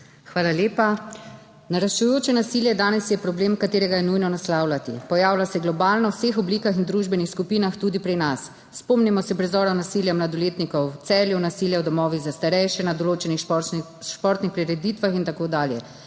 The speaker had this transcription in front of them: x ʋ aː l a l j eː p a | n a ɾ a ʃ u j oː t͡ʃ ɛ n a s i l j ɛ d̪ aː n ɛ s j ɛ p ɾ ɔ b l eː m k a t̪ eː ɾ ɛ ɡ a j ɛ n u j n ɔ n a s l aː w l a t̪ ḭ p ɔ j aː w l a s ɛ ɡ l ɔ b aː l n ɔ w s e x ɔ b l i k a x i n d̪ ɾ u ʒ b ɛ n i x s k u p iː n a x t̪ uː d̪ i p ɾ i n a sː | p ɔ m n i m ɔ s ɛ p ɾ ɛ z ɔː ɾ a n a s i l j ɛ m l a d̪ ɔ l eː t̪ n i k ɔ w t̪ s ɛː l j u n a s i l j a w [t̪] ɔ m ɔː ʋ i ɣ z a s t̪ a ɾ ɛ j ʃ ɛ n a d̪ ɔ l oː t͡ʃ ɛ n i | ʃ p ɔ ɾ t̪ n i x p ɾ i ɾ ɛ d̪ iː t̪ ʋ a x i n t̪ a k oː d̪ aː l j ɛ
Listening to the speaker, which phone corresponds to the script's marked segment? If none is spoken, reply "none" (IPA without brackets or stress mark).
d̪